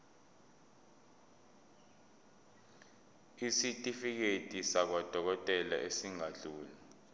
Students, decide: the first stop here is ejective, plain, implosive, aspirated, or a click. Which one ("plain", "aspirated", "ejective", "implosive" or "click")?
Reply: ejective